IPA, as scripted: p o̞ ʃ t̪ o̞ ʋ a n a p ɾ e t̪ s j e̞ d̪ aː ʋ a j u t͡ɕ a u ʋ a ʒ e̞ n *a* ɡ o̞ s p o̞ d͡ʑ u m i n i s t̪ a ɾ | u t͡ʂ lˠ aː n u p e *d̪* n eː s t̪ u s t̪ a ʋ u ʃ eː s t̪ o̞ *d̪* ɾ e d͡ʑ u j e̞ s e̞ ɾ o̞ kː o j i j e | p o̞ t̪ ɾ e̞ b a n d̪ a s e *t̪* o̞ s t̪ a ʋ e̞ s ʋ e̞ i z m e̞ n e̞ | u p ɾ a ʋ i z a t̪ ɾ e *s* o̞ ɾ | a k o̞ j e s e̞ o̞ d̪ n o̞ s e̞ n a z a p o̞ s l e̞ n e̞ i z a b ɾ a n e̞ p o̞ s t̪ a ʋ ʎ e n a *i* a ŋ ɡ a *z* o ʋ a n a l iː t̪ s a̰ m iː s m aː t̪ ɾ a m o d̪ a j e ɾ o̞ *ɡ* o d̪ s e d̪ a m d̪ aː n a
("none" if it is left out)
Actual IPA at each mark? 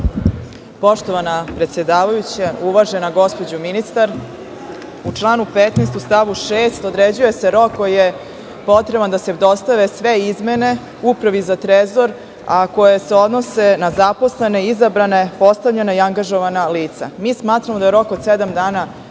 a, t̪, d̪, d̪, z, i, ʒ, k

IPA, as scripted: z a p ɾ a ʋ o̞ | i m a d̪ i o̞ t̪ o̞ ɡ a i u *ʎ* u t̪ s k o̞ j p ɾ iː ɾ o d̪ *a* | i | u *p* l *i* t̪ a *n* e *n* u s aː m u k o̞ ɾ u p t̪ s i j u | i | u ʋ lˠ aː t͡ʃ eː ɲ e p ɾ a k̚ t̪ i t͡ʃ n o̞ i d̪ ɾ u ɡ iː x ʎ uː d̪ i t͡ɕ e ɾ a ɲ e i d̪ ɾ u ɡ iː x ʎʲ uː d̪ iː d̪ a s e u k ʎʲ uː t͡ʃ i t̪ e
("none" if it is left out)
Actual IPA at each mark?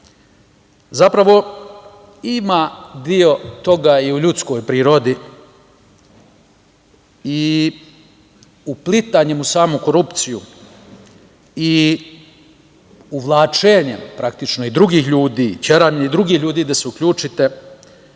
ʎ, i, p, i, ɲ, m

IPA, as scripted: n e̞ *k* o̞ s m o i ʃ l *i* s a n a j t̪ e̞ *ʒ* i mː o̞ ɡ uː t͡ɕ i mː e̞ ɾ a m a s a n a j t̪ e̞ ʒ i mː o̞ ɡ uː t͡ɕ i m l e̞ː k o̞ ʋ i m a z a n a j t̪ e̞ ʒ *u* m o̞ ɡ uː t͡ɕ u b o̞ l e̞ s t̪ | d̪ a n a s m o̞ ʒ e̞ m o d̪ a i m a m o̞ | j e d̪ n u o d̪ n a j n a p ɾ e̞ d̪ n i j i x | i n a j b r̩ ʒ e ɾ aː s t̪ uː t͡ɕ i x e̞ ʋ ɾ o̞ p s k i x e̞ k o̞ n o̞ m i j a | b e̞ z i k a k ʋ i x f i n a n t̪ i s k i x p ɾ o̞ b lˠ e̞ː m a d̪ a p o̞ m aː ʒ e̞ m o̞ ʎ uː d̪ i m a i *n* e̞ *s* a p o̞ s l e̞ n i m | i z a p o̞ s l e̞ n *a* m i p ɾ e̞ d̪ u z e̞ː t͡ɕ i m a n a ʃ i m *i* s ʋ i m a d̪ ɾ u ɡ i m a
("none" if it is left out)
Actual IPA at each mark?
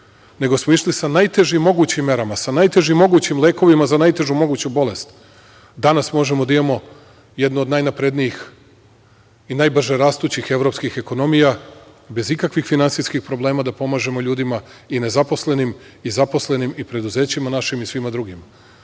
ɡ, i, ʒ, u, n, z, i, i

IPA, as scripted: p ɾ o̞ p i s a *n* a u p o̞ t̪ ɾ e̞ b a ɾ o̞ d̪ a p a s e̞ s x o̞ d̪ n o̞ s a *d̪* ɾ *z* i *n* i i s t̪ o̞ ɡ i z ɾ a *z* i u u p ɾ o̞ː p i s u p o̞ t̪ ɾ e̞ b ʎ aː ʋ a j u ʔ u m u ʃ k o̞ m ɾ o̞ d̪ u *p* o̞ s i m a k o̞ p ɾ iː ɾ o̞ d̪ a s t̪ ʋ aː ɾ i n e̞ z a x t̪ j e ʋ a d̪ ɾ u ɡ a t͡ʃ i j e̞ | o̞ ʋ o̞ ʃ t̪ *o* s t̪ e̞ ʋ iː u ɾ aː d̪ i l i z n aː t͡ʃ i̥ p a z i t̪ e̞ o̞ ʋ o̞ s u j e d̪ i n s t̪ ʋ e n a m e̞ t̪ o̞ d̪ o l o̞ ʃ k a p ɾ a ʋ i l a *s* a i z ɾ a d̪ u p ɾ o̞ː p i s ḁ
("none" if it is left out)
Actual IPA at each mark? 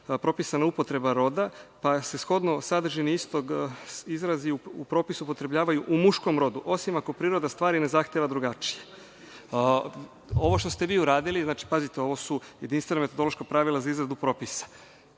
n, d̪, ʒ, n, z, ʔ, o, z

